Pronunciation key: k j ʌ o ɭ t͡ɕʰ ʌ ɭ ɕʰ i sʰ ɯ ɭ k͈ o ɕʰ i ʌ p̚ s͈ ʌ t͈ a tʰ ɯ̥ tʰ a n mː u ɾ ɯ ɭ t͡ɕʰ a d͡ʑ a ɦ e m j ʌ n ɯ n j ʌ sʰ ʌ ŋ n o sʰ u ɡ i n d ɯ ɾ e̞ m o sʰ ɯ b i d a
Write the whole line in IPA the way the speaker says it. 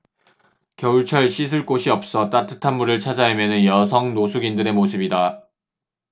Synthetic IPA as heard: k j ʌ u ɭ t͡ɕʰ ʌ ɭ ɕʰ i sʰ ɯ ɭ k͈ o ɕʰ i ʌ p̚ s͈ ʌ t͈ a tʰ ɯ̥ tʰ a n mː u ɾ ɯ ɭ t͡ɕʰ a d͡ʑ a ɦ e m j ʌ n ɯ n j ʌ sʰ ʌ ŋ n o sʰ u ɡ i n d ɯ ɾ e̞ m o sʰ ɯ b i d a